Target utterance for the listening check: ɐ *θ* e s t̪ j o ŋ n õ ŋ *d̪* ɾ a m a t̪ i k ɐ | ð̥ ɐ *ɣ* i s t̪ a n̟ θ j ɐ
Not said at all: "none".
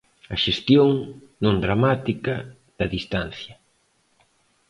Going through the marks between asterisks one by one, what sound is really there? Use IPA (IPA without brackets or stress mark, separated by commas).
ʃ, d̪, ð